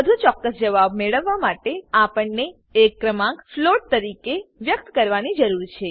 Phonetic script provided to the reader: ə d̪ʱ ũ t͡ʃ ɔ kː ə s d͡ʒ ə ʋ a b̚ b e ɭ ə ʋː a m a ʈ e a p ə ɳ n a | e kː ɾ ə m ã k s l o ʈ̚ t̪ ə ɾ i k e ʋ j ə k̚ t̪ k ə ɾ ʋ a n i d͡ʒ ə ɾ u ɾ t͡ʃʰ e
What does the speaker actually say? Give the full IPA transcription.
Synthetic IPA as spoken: ə d̪ʱ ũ t͡ʃ ɔ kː ə s d͡ʒ ə ʋ a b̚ m e ɭ ə ʋː a m a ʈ e a p ə ɳ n e | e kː ɾ ə m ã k f l o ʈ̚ t̪ ə ɾ i k e ʋ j ə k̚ t̪ k ə ɾ ʋ a n i d͡ʒ ə ɾ u ɾ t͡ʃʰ e